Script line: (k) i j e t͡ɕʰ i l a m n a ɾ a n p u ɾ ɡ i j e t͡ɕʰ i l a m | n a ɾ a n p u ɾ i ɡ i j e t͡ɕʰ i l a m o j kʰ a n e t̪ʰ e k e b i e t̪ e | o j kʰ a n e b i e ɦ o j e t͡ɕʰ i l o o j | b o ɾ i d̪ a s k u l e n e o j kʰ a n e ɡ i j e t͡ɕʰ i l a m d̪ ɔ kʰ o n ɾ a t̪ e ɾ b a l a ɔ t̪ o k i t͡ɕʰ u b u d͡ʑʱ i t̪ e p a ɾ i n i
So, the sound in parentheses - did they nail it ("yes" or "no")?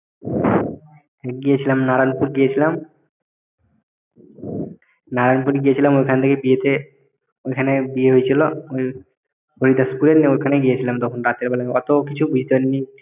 no